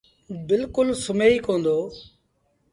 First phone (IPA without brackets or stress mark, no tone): b